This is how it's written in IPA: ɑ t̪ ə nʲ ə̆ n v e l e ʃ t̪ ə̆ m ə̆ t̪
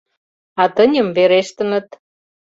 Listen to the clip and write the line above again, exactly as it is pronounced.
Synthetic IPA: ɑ t̪ ə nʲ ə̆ m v e ɾ e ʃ t̪ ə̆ n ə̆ t̪